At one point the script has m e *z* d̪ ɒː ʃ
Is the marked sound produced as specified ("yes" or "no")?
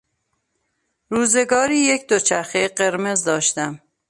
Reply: yes